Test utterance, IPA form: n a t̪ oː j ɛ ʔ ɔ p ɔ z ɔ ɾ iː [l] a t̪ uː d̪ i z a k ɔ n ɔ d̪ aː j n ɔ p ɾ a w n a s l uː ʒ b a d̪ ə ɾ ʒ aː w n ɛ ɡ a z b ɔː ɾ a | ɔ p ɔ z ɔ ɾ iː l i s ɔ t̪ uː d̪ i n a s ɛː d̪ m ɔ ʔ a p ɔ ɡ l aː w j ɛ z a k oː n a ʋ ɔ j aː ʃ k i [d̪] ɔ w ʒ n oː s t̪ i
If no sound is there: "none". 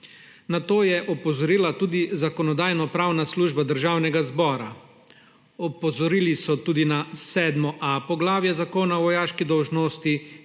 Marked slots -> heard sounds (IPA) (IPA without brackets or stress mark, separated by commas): l, d̪